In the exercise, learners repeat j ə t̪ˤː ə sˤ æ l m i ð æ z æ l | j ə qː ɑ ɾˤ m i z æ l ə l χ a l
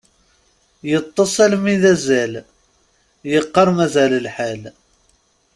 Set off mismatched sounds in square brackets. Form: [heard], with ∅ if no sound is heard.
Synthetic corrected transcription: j ə t̪ˤː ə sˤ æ l m i ð æ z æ l | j ə qː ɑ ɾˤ m [æ] z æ l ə l [ħ] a l